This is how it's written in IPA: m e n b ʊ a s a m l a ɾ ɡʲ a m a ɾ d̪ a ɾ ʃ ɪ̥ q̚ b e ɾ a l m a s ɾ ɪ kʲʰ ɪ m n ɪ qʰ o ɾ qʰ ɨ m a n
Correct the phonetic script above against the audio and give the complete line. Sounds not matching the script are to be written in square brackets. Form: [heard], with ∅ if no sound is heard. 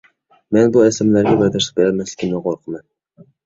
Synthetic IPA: m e n b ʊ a s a m l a ɾ ɡʲ a [b] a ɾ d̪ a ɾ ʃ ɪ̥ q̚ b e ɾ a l m a s [l] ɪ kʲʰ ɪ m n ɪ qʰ o ɾ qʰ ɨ m a n